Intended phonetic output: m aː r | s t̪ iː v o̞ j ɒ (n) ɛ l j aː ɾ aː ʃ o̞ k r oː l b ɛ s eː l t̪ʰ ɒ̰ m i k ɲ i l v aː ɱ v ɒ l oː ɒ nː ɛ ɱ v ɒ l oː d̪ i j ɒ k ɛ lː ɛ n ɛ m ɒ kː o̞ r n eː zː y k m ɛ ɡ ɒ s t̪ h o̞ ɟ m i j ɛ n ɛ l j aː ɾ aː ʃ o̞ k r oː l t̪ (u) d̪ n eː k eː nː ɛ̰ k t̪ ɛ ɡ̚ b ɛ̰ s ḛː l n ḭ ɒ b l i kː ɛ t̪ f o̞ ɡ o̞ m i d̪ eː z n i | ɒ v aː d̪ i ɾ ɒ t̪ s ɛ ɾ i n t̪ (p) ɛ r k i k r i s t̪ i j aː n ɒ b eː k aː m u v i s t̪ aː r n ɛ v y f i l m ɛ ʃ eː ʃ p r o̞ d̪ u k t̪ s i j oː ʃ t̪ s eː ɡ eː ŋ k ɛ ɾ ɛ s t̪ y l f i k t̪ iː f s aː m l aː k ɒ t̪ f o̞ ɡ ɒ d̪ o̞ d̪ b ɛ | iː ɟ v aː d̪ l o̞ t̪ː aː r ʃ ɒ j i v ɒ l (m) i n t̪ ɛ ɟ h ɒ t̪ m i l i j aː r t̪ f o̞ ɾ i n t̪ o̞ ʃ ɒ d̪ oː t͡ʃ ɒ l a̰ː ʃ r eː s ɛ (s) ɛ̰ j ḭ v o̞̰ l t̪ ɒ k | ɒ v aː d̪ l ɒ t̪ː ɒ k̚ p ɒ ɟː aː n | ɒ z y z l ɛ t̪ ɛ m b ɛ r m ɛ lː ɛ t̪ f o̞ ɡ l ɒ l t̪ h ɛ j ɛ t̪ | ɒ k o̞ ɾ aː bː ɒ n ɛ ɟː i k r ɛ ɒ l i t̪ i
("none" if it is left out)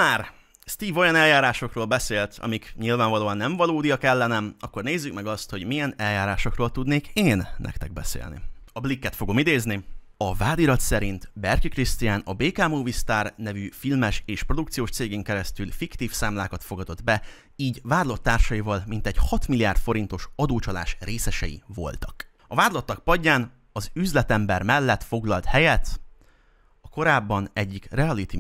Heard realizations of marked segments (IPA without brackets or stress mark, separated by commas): n, u, b, m, ʃ